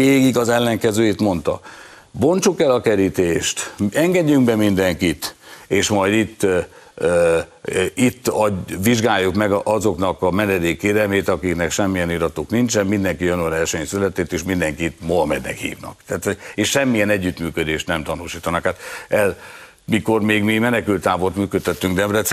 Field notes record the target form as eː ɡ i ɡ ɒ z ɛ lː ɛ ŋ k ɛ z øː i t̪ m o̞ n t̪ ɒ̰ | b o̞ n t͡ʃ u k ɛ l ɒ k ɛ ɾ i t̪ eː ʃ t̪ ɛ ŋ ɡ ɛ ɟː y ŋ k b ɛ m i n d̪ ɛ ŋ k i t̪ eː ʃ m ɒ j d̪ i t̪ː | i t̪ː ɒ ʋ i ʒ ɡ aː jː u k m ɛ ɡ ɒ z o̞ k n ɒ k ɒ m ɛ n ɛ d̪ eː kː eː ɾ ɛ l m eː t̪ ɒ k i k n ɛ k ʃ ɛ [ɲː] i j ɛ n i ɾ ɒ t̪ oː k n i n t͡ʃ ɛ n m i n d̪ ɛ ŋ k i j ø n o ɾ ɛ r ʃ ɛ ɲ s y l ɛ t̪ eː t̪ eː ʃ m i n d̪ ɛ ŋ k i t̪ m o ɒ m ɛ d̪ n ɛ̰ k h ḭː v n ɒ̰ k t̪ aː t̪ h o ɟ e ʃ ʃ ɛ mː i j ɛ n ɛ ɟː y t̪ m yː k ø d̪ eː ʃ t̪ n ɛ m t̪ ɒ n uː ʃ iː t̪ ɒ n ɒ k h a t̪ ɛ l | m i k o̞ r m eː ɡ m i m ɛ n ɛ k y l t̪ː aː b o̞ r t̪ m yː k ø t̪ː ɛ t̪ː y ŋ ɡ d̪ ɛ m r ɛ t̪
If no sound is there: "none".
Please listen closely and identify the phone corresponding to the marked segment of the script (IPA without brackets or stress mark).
mː